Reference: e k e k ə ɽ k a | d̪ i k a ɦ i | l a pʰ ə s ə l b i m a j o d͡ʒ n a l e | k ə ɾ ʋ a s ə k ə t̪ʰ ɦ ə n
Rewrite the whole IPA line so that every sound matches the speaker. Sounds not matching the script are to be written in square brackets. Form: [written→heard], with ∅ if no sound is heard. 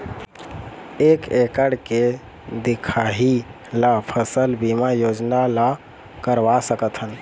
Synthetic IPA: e k e k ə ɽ k [a→e] | d̪ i [k→kʰ] a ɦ i | l a pʰ ə s ə l b i m a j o d͡ʒ n a l [e→a] | k ə ɾ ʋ a s ə k ə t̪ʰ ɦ ə n